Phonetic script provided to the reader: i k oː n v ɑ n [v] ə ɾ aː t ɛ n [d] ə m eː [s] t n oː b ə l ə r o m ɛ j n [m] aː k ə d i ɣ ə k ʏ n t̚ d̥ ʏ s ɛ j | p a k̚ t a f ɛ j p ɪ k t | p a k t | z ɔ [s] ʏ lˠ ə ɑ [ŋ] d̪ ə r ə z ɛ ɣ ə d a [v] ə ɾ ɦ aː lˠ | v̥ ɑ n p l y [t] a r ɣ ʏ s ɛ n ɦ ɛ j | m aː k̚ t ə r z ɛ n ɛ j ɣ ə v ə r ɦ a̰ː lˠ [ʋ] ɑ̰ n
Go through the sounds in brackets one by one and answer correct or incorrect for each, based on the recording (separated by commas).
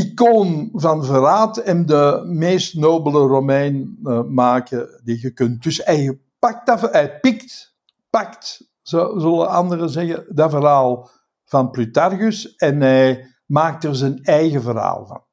correct, correct, correct, correct, incorrect, incorrect, correct, correct, incorrect